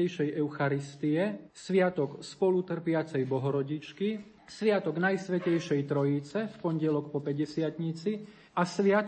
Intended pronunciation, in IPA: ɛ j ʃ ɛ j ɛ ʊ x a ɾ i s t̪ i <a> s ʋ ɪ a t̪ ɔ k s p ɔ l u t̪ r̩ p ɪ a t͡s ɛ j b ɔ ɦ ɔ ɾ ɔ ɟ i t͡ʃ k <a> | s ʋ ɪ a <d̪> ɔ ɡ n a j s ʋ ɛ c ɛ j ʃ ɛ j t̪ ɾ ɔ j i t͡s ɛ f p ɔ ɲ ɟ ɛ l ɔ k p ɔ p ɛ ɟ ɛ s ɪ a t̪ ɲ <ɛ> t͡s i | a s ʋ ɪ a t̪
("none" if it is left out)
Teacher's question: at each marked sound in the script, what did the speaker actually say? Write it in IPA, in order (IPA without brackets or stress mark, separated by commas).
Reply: ɛ, i, t̪, i